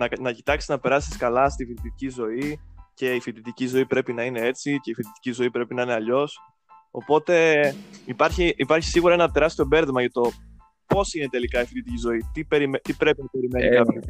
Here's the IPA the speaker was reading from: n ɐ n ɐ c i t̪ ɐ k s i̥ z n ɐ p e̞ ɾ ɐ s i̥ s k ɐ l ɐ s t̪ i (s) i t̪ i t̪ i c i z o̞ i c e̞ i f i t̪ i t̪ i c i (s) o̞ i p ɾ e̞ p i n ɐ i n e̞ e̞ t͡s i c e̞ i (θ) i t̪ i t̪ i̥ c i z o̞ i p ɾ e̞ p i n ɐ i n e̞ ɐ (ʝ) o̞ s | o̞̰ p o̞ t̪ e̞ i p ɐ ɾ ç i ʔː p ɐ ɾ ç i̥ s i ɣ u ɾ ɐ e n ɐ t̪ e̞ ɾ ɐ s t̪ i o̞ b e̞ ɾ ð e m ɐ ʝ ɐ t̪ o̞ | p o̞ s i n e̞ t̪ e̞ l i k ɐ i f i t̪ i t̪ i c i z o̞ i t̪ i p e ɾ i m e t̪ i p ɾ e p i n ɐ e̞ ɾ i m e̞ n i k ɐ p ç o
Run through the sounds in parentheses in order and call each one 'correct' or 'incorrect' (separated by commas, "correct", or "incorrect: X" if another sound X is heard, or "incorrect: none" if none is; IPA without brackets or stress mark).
incorrect: f, incorrect: z, incorrect: f, incorrect: ʎ